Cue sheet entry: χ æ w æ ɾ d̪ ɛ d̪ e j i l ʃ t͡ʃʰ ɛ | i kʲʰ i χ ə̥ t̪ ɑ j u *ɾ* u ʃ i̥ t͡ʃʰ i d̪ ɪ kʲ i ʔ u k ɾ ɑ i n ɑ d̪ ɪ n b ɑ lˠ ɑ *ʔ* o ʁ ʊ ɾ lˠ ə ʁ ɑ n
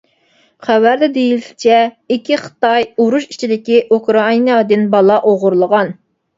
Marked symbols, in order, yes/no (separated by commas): yes, yes